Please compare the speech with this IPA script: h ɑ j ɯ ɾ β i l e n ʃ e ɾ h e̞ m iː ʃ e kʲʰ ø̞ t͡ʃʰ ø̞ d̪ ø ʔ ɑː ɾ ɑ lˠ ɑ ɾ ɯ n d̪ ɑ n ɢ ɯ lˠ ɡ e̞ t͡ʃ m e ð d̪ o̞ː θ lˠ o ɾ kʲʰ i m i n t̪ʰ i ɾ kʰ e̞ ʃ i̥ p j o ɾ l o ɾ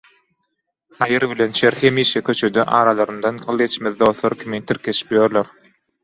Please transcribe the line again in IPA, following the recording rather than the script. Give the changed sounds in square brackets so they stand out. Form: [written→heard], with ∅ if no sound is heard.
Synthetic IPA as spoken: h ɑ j ɯ ɾ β i l e n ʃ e ɾ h e̞ m iː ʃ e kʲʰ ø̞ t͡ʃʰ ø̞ d̪ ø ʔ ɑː ɾ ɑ lˠ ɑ ɾ ɯ n d̪ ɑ n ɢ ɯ lˠ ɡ e̞ t͡ʃ m e ð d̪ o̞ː θ lˠ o ɾ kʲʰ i m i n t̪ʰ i ɾ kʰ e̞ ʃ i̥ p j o ɾ l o ɾ